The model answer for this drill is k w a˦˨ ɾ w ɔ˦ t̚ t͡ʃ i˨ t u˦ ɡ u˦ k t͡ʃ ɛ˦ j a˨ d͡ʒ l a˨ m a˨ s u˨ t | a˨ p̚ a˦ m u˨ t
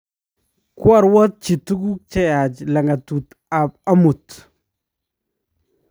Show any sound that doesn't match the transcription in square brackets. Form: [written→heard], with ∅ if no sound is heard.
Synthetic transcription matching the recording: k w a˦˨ ɾ w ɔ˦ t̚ t͡ʃ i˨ t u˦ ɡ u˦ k t͡ʃ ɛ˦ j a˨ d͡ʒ l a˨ [m→ŋ] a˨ [s→t] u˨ t | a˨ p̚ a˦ m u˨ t